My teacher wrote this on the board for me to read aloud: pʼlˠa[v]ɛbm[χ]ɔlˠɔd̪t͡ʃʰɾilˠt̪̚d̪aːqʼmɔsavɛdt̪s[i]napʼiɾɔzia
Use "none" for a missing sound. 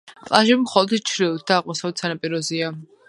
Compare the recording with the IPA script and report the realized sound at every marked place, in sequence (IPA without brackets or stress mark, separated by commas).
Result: ʒ, χ, a